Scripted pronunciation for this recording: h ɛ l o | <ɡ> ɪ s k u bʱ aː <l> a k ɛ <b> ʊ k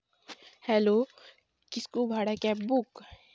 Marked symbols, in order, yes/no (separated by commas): no, no, yes